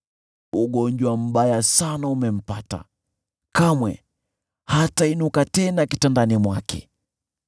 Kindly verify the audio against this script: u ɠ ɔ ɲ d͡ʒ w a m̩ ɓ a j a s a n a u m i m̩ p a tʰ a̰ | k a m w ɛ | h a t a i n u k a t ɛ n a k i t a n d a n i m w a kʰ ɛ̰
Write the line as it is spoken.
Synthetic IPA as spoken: u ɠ ɔ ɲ d͡ʒ w a m̩ ɓ a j a s a n a u m ɛ m̩ p a t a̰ | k a m w ɛ | h a t a i n u k a t ɛ n a k i t a n d a n i m w a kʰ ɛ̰